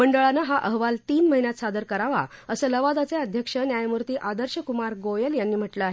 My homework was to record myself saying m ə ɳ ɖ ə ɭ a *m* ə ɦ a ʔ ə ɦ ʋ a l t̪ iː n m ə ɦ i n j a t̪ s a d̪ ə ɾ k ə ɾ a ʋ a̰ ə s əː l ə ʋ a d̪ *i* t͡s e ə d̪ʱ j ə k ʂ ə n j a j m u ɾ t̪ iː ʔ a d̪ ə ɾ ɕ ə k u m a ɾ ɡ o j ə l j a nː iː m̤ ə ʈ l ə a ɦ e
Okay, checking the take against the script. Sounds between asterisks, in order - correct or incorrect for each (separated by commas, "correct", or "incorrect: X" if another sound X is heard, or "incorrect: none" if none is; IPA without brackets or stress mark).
incorrect: n, incorrect: a